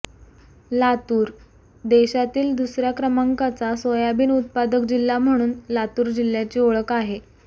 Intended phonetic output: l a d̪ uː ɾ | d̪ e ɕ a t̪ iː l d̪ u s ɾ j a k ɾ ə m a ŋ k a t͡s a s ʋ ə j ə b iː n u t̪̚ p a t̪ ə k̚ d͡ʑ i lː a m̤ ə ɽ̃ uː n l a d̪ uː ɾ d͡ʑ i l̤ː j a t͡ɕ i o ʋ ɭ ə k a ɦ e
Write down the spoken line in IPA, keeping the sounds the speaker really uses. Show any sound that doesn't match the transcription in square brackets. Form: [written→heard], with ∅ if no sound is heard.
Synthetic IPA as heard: l a [d̪→t̪] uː ɾ | d̪ e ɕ a t̪ iː l d̪ u s ɾ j a k ɾ ə m a ŋ k a t͡s a s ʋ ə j [ə→a] b iː n u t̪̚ p a [t̪→d̪] ə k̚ d͡ʑ i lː a m̤ ə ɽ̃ uː n l a [d̪→t̪] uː ɾ d͡ʑ i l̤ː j a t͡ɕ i o [ʋ→∅] ɭ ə k a ɦ e